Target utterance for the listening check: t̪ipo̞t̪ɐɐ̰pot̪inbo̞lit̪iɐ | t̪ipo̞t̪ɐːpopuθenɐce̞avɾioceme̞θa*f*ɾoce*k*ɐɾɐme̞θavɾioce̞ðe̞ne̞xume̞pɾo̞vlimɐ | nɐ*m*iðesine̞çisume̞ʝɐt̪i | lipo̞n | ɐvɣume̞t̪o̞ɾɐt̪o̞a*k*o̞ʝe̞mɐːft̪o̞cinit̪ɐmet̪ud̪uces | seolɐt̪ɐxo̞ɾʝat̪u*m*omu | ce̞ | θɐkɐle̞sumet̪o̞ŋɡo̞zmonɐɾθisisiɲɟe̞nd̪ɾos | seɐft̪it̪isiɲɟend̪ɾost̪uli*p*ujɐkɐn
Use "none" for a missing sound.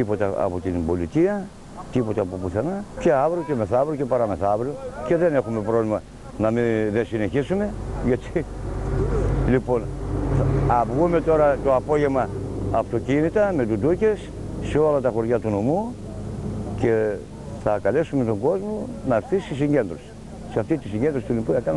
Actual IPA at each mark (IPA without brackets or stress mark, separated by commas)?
v, p, m, p, n, p